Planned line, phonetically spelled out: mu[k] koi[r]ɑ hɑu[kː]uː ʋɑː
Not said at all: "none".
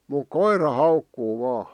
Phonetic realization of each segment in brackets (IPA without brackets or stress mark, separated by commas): k, r, kː